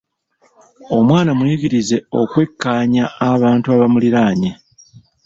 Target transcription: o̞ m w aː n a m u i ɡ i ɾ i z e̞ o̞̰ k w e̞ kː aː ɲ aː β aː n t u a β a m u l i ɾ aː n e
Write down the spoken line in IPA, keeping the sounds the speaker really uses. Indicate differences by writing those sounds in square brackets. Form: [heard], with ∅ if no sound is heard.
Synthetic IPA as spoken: o̞ m w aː n a m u i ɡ i ɾ i z e̞ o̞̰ k w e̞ kː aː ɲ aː β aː n t u a β a m u l i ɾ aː [ɲ] e